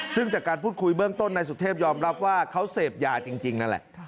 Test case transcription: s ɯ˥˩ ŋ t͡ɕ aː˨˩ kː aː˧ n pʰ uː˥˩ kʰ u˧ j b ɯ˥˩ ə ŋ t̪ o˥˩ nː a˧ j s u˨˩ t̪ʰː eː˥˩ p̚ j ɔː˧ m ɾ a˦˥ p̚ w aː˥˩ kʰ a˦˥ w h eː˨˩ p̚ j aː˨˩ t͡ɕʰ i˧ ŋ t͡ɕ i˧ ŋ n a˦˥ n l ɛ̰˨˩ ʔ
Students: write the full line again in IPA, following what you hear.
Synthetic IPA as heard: s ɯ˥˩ ŋ t͡ɕ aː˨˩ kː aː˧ n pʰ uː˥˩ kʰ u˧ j b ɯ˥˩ ə ŋ t̪ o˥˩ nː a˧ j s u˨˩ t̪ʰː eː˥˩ p̚ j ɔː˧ m ɾ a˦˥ p̚ w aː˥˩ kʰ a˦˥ w s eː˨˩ p̚ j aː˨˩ t͡ɕ i˧ ŋ t͡ɕ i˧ ŋ n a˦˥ n l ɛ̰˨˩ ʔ